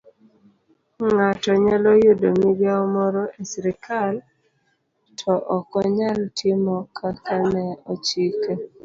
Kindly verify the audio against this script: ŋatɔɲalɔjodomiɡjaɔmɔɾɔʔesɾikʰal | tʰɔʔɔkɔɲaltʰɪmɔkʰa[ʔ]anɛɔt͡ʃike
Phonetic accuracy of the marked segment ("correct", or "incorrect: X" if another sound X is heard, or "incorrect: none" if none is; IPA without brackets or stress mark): incorrect: k